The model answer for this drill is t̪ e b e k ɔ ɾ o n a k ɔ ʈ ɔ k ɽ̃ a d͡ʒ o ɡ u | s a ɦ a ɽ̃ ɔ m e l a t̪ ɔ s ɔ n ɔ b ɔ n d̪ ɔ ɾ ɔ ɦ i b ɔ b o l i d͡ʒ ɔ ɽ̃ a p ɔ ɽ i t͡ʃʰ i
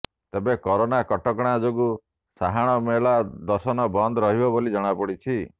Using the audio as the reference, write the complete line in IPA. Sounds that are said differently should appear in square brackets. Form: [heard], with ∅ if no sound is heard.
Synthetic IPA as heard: t̪ e b e k ɔ ɾ o n a k ɔ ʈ ɔ k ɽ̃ a d͡ʒ o ɡ u | s a ɦ a ɽ̃ ɔ m e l a [d̪] ɔ s ɔ n ɔ b ɔ n d̪ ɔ ɾ ɔ ɦ i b ɔ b o l i d͡ʒ ɔ ɽ̃ a p ɔ ɽ i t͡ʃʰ i